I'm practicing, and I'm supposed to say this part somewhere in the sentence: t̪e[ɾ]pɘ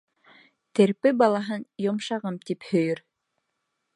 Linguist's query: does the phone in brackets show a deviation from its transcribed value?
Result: no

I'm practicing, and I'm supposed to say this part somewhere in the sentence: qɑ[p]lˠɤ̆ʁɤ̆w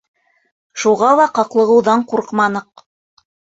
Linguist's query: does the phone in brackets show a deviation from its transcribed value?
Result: yes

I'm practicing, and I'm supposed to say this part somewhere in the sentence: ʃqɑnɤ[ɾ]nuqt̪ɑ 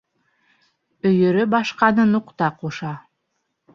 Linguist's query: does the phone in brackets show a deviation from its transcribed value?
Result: yes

